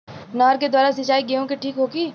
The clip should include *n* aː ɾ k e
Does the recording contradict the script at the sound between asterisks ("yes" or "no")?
no